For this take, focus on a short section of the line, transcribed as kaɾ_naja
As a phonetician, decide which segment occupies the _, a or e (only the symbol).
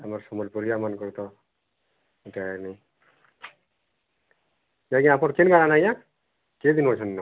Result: a